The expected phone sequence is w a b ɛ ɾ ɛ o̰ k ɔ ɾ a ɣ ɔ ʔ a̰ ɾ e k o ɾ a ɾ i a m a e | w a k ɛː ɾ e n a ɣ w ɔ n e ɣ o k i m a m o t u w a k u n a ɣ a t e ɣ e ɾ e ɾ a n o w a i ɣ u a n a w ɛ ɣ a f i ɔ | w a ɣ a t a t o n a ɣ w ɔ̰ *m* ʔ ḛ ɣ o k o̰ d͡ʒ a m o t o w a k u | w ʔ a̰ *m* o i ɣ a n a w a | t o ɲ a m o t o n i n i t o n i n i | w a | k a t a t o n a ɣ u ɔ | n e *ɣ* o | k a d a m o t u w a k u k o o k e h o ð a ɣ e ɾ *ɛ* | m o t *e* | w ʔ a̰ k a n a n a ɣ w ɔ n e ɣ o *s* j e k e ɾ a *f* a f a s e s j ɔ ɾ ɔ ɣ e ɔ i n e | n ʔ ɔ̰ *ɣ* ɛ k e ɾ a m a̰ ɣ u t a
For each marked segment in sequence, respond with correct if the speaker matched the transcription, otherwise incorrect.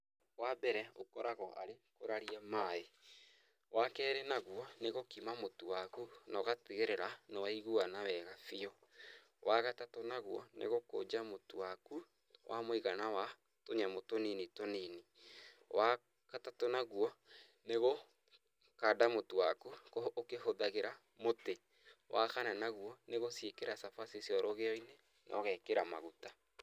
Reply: incorrect: n, correct, correct, incorrect: a, correct, correct, incorrect: s, correct

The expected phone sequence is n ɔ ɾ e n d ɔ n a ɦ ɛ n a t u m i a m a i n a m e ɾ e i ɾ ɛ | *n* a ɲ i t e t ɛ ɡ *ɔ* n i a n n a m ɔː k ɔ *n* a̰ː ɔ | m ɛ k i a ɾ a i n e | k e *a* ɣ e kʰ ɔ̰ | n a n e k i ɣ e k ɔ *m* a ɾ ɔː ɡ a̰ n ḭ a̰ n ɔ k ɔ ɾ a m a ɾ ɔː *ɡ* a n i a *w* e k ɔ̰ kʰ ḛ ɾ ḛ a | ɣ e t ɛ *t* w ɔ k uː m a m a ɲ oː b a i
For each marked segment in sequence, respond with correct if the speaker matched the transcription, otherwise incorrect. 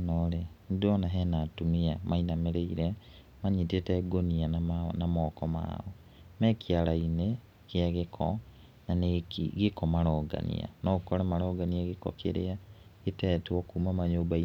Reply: incorrect: m, incorrect: o, incorrect: m, correct, correct, correct, incorrect: ɣ, correct

